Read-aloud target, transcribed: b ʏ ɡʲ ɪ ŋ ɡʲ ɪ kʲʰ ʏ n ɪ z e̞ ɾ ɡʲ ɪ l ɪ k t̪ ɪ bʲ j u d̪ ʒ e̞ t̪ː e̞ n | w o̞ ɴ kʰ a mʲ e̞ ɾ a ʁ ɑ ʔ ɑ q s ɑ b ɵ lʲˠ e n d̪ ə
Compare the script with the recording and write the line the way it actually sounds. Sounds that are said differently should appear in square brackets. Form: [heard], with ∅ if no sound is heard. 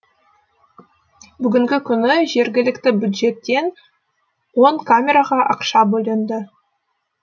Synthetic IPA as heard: b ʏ ɡʲ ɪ ŋ ɡʲ ɪ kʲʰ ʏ n ɪ [ʒ] e̞ ɾ ɡʲ ɪ l ɪ k t̪ ɪ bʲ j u d̪ ʒ e̞ t̪ː e̞ n | w o̞ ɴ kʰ a mʲ e̞ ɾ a ʁ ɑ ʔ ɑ q [ʃ] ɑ b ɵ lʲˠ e n d̪ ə